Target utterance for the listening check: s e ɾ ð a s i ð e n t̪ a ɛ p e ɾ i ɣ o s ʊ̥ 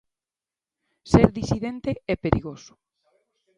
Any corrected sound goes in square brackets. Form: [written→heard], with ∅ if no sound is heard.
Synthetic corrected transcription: s e ɾ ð [a→i] s i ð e n t̪ [a→e] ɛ p e ɾ i ɣ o s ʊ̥